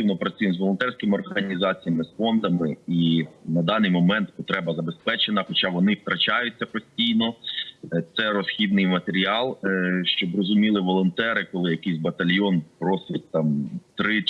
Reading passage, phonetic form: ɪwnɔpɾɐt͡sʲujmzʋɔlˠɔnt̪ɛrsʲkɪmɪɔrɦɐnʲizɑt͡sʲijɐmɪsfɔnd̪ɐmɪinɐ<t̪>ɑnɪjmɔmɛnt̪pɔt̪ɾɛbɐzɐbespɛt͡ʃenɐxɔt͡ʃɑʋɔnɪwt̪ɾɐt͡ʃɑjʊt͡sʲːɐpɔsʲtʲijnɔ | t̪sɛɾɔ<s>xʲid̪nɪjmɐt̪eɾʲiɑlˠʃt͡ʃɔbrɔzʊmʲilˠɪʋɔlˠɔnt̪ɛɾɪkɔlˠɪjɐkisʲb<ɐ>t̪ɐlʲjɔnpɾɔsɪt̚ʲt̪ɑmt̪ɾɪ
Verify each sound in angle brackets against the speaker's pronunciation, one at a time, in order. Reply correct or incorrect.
incorrect, correct, correct

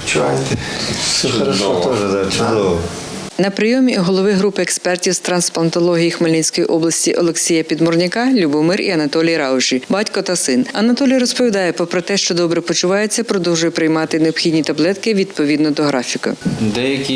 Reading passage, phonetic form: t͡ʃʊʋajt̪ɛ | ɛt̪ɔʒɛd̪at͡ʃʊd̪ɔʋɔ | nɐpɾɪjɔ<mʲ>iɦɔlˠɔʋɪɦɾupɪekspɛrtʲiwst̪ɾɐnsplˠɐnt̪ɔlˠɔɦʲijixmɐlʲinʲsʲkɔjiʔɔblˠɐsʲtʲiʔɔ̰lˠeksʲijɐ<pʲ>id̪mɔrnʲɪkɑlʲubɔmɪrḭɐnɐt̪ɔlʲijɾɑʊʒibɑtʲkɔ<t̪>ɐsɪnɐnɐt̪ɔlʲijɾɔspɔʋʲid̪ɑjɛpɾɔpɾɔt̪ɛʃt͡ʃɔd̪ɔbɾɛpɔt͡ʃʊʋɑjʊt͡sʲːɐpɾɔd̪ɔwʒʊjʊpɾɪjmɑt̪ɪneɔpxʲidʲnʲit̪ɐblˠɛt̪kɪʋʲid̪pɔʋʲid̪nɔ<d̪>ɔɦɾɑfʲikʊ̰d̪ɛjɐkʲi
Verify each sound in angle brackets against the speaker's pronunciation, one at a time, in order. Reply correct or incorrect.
correct, correct, correct, correct

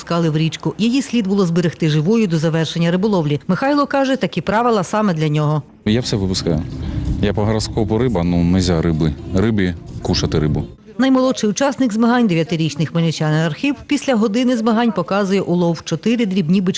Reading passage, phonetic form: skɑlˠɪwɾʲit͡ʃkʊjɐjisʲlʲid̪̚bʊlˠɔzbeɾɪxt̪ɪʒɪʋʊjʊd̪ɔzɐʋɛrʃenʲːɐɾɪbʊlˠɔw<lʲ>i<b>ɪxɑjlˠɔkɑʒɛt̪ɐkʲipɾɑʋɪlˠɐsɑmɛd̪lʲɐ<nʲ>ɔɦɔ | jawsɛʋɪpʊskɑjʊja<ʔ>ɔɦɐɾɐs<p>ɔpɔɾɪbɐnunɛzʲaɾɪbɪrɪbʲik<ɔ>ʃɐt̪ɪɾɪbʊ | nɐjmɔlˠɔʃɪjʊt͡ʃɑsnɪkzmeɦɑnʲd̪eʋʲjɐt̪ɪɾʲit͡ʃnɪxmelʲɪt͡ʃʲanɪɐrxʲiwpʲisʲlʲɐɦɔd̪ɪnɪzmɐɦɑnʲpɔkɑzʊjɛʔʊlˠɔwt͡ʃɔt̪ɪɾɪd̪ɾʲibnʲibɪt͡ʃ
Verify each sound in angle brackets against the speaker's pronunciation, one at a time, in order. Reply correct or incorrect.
correct, incorrect, correct, incorrect, incorrect, incorrect

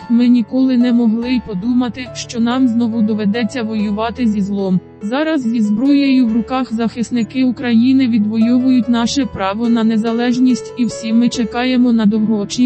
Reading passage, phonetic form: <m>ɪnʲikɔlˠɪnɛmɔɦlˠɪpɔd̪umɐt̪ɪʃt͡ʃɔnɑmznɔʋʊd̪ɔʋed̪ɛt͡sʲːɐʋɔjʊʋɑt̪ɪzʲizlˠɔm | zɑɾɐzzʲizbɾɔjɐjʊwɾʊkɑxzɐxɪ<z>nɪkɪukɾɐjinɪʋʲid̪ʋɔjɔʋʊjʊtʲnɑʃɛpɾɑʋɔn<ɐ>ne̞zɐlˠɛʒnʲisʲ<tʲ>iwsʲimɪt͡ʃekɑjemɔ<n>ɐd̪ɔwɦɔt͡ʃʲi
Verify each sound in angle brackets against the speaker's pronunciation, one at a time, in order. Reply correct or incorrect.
correct, incorrect, correct, correct, correct

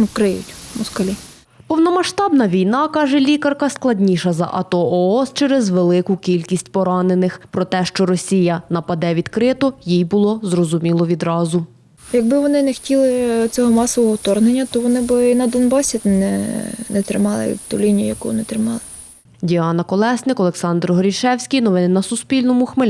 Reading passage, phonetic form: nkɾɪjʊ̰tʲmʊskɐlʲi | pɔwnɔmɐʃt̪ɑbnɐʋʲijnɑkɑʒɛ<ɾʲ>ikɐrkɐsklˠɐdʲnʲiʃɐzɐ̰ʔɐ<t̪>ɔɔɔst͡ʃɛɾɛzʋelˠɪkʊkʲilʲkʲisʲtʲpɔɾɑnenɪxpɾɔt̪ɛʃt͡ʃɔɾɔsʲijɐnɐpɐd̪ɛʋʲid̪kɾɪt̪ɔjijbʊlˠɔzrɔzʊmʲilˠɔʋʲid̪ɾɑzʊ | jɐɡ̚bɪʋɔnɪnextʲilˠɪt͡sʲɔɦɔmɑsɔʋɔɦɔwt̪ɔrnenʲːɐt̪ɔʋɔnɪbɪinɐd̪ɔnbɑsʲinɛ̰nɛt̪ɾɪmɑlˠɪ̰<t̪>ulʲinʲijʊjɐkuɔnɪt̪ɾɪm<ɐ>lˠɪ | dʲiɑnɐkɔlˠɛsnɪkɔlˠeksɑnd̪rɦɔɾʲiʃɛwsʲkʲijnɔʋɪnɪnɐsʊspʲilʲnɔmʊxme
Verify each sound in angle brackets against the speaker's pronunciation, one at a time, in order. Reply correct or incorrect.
incorrect, correct, correct, incorrect

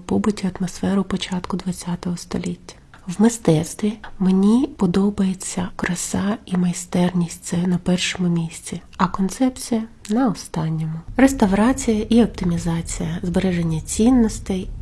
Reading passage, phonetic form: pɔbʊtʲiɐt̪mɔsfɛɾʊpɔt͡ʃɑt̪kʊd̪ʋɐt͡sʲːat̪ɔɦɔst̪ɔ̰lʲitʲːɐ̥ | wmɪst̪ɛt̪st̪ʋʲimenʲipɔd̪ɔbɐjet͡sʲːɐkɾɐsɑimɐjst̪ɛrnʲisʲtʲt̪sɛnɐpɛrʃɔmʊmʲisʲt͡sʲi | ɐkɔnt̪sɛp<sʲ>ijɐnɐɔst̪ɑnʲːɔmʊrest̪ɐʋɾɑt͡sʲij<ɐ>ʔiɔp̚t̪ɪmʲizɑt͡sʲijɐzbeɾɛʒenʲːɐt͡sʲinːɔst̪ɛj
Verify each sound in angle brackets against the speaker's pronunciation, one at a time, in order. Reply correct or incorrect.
incorrect, correct

